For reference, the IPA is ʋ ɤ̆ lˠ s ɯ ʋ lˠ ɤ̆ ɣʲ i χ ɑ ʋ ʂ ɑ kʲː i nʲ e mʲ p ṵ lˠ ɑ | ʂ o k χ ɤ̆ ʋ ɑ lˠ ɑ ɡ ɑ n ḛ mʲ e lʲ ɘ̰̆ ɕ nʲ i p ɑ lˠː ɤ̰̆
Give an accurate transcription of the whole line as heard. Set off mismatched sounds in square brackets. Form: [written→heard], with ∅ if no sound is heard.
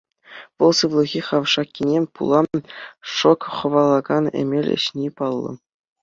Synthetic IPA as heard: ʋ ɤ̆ lˠ s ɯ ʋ lˠ ɤ̆ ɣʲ i χ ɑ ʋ ʂ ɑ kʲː i nʲ e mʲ p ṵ lˠ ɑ | ʂ o k χ ɤ̆ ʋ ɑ lˠ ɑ ɡ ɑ n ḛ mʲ e lʲ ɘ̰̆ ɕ nʲ i p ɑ lˠː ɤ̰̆